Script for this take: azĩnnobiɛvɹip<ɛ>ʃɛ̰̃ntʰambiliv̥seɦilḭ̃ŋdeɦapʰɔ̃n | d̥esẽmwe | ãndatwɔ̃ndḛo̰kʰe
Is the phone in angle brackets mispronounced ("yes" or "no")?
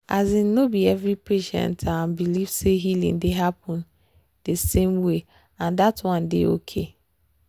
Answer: yes